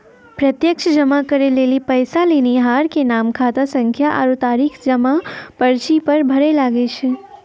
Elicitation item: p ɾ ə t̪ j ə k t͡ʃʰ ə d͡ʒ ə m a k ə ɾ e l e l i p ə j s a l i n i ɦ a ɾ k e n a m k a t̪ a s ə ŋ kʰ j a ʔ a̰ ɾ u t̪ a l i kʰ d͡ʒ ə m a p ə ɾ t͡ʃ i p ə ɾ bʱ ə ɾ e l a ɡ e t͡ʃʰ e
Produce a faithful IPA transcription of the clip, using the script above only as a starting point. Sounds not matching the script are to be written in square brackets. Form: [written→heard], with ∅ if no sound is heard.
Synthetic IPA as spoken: p ɾ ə t̪ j ə k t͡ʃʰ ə d͡ʒ ə m a k ə ɾ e l e l i p ə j s a l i n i ɦ a ɾ k e n a m [k→kʰ] a t̪ a s ə ŋ kʰ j a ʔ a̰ ɾ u t̪ a [l→ɾ] i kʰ d͡ʒ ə m a p ə ɾ t͡ʃ i p ə ɾ bʱ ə ɾ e l a ɡ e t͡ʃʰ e

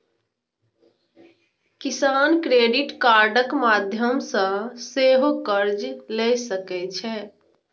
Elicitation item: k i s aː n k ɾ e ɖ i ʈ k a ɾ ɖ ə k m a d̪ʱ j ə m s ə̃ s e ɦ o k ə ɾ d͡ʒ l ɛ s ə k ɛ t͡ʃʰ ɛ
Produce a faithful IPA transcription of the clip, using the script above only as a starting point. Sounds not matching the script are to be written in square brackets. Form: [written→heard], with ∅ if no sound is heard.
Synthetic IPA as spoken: k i s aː n k ɾ e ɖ i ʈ k a ɾ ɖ ə k m a d̪ʱ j ə m s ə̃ s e ɦ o k ə ɾ d͡ʒ l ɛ s ə k ɛ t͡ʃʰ ɛ

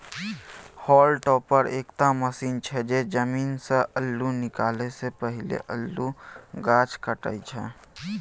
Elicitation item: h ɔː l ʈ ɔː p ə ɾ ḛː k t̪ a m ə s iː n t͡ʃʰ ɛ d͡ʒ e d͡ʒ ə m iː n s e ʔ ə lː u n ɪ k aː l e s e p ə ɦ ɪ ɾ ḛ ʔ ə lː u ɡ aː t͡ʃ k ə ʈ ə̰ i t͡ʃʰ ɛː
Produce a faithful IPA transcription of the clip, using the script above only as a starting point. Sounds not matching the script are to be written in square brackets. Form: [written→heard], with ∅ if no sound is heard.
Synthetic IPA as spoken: h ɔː l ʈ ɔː p ə ɾ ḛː k t̪ a m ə s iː n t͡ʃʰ ɛ d͡ʒ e d͡ʒ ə m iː n s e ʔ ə lː u n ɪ k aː l e s e p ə ɦ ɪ [ɾ→l] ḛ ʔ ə lː u ɡ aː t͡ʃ k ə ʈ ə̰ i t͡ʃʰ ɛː

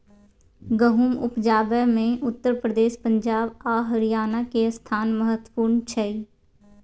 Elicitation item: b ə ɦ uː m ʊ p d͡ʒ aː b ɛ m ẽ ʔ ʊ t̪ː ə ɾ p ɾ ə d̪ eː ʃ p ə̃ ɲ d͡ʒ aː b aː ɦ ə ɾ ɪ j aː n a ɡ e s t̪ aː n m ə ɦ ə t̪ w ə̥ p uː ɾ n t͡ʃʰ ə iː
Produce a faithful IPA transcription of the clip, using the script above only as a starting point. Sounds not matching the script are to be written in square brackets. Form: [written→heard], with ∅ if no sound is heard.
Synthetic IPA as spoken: [b→ɡ] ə ɦ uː m ʊ p d͡ʒ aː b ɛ m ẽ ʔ ʊ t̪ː ə ɾ p ɾ ə d̪ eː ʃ p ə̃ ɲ d͡ʒ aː b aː ɦ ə ɾ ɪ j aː n a [ɡ→k] e s [t̪→t̪ʰ] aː n m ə ɦ ə t̪ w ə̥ p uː ɾ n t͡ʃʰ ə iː

